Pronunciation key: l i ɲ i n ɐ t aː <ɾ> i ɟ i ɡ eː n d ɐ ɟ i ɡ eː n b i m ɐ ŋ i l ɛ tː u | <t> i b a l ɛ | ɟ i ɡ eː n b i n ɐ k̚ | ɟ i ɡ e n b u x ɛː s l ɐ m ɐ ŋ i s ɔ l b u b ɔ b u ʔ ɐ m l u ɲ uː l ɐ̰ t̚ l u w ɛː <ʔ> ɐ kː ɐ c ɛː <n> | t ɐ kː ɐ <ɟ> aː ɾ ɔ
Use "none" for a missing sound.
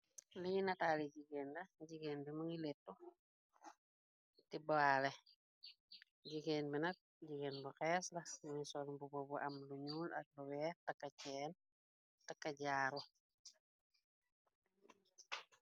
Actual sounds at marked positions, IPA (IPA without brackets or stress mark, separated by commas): l, t, t, n, ɟ